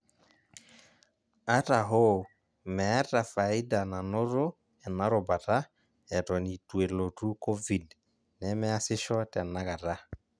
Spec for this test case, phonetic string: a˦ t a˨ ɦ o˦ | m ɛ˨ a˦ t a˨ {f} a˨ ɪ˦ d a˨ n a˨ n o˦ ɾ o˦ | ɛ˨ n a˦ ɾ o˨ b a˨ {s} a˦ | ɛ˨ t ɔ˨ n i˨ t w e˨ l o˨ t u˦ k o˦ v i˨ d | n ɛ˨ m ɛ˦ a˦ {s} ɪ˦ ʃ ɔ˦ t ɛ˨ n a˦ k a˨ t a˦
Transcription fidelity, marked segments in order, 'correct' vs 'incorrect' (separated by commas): correct, incorrect, correct